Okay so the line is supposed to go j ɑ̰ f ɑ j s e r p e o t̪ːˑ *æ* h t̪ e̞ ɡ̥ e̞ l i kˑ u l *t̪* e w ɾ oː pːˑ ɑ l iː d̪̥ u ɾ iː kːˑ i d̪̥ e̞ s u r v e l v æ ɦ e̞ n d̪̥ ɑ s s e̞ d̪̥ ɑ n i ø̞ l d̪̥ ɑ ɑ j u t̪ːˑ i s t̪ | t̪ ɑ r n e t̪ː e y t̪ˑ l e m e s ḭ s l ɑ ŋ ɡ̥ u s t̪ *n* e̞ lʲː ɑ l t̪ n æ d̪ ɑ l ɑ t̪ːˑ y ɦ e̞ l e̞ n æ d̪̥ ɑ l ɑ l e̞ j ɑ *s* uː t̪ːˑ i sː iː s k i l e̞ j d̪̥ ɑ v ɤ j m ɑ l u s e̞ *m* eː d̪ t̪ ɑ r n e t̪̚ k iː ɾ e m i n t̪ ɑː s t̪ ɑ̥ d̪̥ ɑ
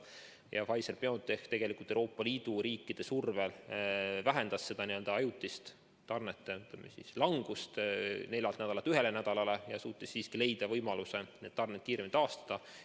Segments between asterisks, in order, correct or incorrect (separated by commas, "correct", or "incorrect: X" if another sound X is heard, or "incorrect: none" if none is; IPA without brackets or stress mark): incorrect: e, correct, correct, correct, incorrect: n